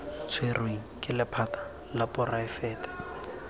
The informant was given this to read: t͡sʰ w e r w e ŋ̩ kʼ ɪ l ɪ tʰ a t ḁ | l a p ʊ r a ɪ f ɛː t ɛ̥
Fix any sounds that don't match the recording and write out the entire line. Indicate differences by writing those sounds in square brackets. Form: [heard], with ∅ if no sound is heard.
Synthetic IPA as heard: t͡sʰ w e r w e ŋ̩ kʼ ɪ l ɪ [pʰ] a t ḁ | l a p ʊ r a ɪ f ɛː t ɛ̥